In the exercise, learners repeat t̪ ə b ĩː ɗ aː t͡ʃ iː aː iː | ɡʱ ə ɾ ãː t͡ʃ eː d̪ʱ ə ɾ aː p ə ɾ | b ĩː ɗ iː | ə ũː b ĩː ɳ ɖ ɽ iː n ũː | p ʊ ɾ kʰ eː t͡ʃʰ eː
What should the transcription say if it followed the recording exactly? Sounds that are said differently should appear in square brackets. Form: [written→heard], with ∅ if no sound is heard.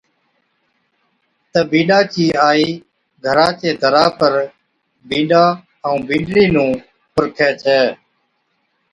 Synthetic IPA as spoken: t̪ ə b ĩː ɗ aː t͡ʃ iː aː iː | ɡʱ ə ɾ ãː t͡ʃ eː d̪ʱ ə ɾ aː p ə ɾ | b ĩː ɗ [iː→aː] | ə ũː b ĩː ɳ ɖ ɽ iː n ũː | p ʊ ɾ kʰ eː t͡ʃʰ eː